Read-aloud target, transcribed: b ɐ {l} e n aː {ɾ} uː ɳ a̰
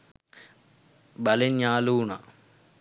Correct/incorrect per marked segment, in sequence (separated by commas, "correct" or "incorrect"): correct, incorrect